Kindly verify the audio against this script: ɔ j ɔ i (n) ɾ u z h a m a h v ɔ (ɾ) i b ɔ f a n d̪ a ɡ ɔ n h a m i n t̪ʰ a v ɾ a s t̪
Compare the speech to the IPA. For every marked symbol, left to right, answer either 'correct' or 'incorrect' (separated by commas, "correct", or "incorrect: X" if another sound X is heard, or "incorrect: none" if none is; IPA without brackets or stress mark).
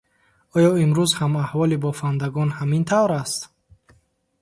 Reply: incorrect: m, incorrect: l